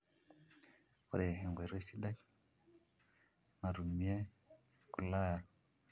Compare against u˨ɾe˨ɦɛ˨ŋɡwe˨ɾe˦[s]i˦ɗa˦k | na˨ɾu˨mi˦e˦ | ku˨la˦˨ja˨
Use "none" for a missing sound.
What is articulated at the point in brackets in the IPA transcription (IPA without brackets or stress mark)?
s